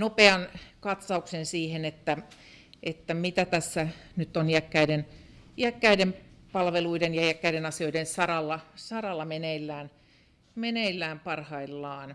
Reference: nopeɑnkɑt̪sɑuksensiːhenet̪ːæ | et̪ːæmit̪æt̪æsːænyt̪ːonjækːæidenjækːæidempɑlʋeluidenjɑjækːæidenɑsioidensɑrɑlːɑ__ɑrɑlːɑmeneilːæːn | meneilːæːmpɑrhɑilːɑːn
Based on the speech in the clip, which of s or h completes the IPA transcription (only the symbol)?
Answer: s